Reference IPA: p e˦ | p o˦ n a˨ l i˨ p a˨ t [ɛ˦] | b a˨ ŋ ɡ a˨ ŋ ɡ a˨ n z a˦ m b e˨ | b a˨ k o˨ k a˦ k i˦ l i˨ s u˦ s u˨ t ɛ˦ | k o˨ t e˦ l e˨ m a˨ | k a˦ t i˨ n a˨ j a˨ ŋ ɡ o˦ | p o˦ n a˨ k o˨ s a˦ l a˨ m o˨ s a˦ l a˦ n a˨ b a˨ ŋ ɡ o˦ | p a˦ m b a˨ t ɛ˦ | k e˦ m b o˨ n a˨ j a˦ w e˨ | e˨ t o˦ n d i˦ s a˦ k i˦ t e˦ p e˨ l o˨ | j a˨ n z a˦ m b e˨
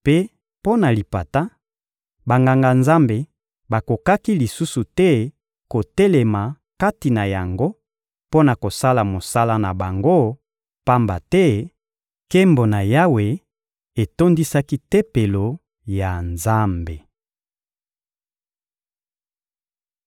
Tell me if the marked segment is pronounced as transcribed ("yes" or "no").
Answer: no